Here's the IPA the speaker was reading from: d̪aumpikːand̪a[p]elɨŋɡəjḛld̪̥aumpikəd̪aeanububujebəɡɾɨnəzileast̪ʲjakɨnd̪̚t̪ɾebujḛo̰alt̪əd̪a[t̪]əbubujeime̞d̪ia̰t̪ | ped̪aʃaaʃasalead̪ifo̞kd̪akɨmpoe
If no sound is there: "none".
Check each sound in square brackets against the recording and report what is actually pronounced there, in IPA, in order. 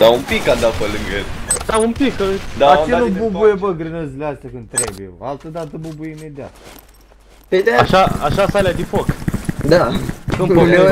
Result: p, t̪

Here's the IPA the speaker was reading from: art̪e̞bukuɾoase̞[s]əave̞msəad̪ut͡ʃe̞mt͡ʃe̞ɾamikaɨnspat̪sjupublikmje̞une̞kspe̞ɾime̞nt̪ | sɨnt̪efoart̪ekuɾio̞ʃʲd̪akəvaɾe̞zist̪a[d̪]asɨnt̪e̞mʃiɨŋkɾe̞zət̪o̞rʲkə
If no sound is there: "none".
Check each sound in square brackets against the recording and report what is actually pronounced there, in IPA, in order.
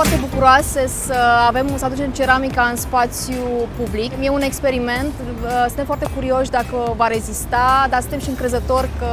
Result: s, d̪

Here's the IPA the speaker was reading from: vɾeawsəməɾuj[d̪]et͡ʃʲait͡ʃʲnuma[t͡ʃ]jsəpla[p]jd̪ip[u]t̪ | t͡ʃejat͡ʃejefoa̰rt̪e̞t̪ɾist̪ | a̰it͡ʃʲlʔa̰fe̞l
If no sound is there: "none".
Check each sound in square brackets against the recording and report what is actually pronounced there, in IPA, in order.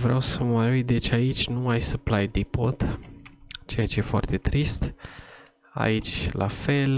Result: d̪, none, none, o

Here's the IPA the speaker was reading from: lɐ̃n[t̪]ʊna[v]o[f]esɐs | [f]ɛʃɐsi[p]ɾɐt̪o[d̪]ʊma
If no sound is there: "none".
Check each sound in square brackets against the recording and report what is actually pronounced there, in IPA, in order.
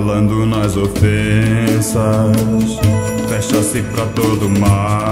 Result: d̪, z, f, f, p, d̪

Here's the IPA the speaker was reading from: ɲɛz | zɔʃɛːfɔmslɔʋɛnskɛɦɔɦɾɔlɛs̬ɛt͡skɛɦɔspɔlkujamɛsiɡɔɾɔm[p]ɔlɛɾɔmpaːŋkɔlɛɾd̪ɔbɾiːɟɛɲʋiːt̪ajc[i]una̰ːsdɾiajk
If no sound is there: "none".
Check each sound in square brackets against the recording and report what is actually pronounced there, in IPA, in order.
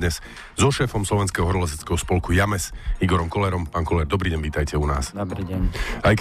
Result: k, ɛ

